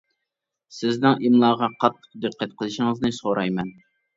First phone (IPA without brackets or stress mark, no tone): s